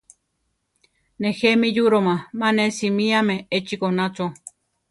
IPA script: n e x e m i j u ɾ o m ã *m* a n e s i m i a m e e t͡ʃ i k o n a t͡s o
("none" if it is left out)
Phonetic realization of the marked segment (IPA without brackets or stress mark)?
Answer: m